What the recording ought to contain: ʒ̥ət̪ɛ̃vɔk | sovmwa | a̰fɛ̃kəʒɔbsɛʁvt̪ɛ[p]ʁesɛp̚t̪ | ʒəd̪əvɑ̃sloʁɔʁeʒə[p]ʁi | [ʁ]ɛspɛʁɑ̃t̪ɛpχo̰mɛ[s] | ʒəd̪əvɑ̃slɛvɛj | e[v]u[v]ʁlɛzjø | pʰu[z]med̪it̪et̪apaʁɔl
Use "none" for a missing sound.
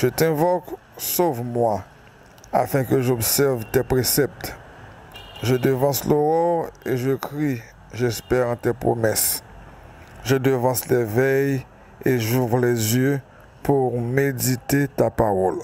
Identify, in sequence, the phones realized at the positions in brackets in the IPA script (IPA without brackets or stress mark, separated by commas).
p, k, ʒ, s, ʒ, v, ʁ